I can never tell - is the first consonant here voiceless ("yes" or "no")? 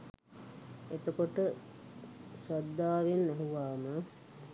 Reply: yes